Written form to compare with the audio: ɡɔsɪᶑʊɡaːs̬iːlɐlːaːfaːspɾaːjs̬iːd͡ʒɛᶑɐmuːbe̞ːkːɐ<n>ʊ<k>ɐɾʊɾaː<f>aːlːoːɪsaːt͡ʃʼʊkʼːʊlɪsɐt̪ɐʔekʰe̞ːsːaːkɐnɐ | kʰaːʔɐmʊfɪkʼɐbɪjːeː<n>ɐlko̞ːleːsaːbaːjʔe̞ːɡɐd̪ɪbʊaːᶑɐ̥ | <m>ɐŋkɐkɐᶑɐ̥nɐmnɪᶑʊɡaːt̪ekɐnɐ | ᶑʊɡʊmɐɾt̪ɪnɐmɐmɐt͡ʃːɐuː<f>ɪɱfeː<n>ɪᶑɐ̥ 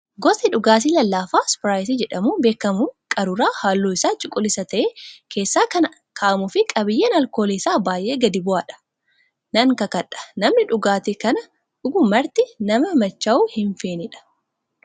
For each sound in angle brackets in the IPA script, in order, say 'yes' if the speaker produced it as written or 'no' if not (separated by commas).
no, no, no, yes, no, no, yes